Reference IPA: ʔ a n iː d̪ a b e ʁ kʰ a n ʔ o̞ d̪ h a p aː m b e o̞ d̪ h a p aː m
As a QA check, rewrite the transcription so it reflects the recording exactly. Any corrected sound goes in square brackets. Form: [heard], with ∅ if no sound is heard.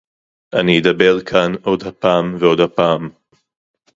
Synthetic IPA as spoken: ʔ a n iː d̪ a b e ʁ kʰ a n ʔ o̞ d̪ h a p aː m [v] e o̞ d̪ h a p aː m